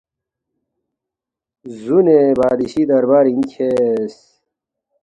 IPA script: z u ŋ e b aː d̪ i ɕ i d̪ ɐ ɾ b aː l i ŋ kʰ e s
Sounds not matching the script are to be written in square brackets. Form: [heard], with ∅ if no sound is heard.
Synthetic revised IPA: z u [n] e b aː d̪ i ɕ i d̪ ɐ ɾ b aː [ɾ] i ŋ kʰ e s